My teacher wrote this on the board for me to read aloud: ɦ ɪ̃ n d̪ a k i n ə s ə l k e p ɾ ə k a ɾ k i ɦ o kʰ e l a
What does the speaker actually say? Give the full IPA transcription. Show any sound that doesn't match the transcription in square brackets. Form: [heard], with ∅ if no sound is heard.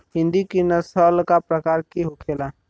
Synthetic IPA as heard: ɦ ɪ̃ n d̪ [i] k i n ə s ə l k [a] p ɾ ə k a ɾ k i ɦ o kʰ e l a